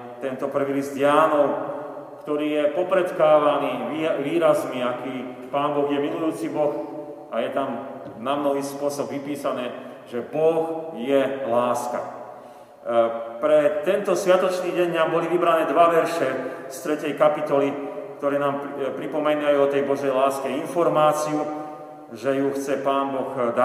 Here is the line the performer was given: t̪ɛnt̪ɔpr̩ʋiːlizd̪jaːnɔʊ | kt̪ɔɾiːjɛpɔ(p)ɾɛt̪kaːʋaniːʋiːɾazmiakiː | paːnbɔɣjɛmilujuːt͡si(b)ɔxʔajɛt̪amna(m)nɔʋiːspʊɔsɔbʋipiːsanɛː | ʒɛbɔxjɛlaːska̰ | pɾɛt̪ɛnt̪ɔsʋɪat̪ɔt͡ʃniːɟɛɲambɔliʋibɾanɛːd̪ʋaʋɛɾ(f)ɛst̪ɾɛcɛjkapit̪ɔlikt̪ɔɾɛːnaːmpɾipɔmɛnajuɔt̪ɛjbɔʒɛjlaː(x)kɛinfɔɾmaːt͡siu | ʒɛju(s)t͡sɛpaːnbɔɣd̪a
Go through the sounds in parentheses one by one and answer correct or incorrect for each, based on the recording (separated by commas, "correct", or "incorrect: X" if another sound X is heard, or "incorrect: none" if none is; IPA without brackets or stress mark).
correct, correct, correct, incorrect: ʃ, incorrect: s, incorrect: x